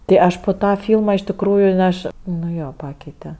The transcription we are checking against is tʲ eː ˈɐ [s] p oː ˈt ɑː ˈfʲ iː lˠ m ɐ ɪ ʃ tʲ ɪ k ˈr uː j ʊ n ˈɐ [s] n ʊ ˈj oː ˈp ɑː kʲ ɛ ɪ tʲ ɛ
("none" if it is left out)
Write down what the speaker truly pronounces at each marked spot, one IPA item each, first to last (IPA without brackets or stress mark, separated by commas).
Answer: ʃ, ʃ